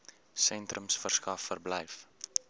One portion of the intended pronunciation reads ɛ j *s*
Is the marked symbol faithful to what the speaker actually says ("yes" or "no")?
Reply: no